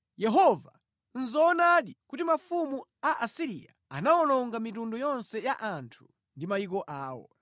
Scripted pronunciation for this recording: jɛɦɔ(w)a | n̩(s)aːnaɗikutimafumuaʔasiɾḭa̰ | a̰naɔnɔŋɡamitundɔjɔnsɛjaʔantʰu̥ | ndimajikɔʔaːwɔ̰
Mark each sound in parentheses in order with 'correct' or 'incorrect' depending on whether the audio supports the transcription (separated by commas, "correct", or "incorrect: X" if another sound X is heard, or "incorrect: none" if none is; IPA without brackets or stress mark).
incorrect: v, incorrect: z